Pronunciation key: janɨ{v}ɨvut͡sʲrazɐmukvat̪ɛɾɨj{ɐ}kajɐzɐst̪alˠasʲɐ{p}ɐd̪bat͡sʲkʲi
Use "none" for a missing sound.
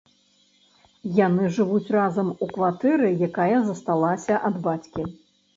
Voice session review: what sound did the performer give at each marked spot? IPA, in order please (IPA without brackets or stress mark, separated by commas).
ʐ, a, ʔ